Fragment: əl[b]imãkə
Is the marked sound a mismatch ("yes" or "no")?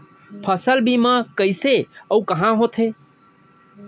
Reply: no